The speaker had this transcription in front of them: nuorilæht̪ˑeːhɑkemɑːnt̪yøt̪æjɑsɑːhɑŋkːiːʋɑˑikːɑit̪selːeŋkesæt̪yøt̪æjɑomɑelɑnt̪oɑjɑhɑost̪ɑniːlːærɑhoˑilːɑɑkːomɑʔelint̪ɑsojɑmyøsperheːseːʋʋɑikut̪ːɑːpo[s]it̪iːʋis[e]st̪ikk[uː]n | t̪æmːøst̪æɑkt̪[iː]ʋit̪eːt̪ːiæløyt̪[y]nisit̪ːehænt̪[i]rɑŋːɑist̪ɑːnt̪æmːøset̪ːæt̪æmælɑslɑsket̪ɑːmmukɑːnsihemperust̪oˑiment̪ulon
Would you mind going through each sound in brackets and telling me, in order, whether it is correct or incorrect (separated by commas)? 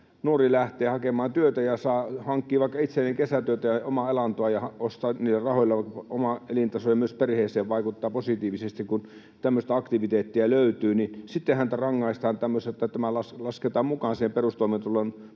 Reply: correct, correct, incorrect, incorrect, incorrect, incorrect